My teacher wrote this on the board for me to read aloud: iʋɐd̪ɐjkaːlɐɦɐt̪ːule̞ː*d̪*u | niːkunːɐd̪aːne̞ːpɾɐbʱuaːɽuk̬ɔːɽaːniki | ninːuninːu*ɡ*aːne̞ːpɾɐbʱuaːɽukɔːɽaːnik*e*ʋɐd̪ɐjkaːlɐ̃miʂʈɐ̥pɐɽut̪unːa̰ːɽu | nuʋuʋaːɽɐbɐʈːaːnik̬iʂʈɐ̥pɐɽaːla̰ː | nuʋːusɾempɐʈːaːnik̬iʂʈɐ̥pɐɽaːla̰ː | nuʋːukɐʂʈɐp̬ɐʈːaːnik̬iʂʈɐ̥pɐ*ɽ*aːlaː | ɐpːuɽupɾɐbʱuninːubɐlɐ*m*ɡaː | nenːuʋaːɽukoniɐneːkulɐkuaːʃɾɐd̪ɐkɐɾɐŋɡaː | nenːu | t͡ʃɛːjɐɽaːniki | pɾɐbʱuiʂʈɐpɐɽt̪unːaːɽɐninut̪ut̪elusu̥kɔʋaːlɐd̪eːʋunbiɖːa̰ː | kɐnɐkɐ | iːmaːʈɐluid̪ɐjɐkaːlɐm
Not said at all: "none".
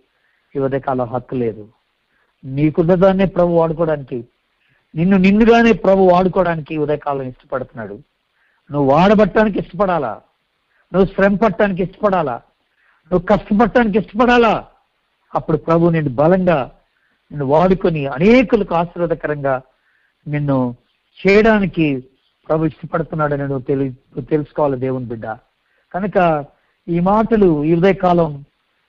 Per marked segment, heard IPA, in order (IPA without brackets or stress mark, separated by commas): d̪, ɡ, i, ɽ, ŋ